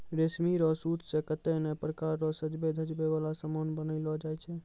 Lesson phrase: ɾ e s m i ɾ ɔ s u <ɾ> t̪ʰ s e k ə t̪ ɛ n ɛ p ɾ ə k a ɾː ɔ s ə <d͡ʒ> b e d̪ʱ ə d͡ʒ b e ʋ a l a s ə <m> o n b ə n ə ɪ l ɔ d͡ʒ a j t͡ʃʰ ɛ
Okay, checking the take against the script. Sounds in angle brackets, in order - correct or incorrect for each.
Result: incorrect, correct, correct

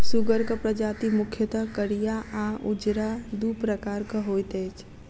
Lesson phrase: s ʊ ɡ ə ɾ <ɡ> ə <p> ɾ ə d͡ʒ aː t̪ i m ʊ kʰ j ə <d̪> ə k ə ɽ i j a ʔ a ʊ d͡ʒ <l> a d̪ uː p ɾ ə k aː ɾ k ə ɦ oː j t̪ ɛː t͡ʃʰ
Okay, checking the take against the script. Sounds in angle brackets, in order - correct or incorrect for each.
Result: incorrect, correct, incorrect, incorrect

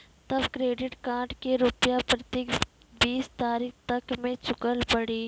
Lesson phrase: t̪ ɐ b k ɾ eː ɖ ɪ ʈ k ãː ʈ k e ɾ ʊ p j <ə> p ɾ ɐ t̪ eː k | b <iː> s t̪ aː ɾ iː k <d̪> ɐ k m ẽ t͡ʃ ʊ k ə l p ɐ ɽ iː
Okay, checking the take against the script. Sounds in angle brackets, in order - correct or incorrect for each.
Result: incorrect, correct, incorrect

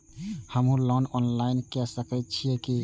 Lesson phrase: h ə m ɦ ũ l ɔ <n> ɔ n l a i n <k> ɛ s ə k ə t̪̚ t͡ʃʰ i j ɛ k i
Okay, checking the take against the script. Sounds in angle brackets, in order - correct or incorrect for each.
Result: correct, correct

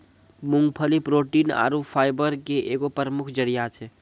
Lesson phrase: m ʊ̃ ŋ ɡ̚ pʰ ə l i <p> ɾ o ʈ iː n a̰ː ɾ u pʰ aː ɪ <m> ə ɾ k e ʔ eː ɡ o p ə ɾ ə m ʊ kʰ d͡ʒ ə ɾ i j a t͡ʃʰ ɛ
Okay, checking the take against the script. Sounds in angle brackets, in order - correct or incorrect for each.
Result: correct, incorrect

